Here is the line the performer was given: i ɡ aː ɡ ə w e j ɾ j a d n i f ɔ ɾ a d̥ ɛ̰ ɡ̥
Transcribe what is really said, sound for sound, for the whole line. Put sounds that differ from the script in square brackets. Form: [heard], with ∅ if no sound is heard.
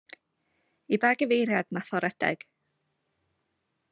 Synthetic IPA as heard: i [b] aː ɡ ə [v] e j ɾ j a d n [a] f ɔ ɾ [ɛ] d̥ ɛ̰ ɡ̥